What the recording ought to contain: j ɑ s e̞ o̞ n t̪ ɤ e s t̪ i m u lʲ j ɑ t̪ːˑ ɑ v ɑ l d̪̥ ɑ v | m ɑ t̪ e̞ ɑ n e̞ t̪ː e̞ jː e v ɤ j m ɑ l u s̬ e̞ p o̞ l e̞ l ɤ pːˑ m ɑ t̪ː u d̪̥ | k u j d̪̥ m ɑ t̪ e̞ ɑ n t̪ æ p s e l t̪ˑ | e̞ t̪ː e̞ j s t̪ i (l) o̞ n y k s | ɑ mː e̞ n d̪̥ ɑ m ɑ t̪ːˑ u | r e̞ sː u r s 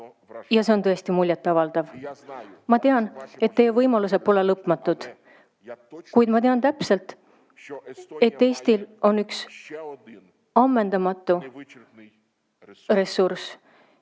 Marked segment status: correct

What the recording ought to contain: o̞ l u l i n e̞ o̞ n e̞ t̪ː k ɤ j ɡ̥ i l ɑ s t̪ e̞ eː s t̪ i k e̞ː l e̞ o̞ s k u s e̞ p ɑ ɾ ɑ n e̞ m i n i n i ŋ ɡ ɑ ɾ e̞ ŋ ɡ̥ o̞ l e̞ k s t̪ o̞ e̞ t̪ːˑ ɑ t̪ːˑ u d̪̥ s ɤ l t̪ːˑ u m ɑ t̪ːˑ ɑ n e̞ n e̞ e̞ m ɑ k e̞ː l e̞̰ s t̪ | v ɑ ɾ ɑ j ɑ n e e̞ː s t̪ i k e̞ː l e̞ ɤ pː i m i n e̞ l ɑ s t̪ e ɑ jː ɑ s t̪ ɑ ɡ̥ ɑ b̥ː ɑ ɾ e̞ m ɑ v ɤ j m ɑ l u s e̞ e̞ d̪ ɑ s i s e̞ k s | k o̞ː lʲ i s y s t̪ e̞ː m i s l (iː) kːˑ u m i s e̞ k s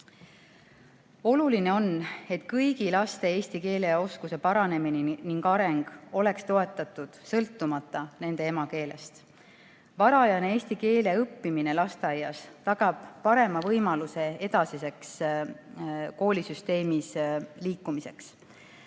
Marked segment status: correct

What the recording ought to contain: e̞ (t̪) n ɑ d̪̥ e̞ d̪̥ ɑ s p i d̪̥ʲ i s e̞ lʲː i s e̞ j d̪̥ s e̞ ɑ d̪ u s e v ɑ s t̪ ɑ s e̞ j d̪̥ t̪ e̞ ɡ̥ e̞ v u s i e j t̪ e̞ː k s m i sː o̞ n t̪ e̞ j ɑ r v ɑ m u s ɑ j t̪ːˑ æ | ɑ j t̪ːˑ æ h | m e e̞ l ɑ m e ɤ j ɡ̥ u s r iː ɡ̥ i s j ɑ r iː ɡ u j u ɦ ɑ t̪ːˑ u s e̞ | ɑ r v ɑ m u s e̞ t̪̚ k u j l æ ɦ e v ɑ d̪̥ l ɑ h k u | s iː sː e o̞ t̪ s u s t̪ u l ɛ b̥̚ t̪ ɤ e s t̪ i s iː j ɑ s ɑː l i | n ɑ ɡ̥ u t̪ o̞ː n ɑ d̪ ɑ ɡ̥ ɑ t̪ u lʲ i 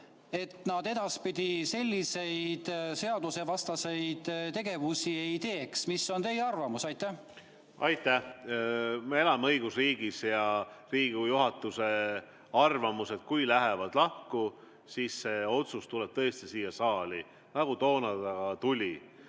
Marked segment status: correct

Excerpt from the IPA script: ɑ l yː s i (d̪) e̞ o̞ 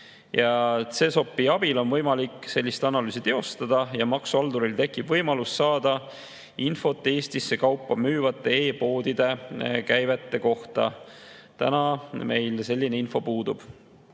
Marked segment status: incorrect: t̪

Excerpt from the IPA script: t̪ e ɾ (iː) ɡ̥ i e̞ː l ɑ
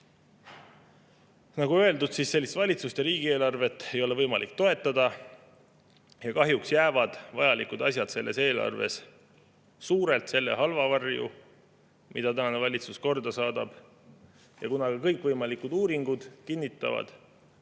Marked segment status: correct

